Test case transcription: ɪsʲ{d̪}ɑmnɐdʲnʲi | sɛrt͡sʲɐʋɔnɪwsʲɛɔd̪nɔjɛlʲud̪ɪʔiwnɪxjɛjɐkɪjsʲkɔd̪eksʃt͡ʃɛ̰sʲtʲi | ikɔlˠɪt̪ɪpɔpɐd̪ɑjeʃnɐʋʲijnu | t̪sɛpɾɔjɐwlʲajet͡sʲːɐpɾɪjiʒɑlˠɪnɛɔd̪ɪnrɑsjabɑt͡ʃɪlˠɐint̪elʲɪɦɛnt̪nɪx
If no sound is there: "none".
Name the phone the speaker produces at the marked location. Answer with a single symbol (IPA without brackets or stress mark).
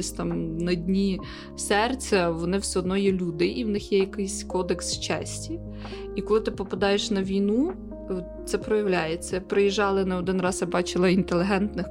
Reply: t̪